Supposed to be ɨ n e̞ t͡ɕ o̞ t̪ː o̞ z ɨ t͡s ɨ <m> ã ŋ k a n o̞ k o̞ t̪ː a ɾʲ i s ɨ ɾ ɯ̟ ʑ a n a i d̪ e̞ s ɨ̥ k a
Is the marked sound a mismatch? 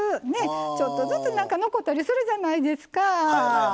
yes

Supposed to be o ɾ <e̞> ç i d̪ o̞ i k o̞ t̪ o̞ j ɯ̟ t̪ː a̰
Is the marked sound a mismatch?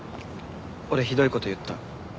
no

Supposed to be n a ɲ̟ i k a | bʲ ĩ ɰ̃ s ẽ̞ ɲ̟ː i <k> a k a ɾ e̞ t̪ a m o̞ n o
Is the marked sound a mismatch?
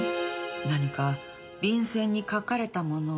no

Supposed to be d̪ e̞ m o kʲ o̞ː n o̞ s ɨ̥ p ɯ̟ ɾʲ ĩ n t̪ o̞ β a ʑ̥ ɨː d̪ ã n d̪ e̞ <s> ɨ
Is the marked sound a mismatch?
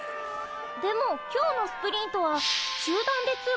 yes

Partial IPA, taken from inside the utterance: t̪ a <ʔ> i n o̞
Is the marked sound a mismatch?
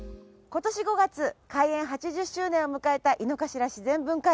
no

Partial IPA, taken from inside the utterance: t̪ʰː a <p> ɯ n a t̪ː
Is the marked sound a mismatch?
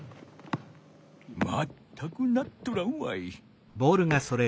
yes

